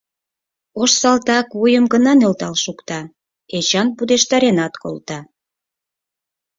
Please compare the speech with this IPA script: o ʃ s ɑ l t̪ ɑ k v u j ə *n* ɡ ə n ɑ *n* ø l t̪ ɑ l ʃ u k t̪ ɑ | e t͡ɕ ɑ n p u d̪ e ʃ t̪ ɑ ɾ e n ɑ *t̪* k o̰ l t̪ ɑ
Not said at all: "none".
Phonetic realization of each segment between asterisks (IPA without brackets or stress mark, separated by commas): m, n, t̪